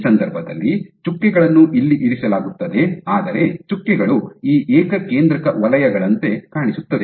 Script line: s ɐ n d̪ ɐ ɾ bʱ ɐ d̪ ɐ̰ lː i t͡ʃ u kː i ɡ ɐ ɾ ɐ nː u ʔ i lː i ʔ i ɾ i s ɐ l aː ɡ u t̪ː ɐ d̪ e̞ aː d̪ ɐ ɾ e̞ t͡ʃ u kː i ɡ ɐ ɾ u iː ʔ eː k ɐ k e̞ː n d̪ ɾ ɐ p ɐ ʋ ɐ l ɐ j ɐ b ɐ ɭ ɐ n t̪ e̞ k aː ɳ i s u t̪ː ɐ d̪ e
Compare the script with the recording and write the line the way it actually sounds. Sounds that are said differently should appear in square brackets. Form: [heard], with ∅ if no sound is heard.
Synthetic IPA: s ɐ n d̪ ɐ ɾ bʱ ɐ d̪ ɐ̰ lː i t͡ʃ u kː i ɡ ɐ [ɭ] ɐ nː u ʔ i lː i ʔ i ɾ i s ɐ l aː ɡ u t̪ː ɐ d̪ e̞ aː d̪ ɐ ɾ e̞ t͡ʃ u kː i ɡ ɐ [ɭ] u iː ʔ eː k ɐ k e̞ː n d̪ ɾ ɐ [k] ɐ ʋ ɐ l ɐ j ɐ [ɡ] ɐ ɭ ɐ n t̪ e̞ k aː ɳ i s u t̪ː ɐ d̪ e